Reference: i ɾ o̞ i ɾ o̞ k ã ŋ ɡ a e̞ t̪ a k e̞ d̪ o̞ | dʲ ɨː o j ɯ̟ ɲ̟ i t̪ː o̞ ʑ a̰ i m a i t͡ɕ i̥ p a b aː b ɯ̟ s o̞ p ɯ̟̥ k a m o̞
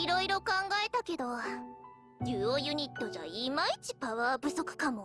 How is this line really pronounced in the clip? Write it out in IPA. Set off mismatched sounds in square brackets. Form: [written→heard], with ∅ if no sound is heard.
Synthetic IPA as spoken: i ɾ o̞ i ɾ o̞ k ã ŋ ɡ a e̞ t̪ a k e̞ d̪ o̞ | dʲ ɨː o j ɯ̟ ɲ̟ i t̪ː o̞ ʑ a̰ i m a i t͡ɕ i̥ p a [b→β] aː b ɯ̟ s o̞ [p→k] ɯ̟̥ k a m o̞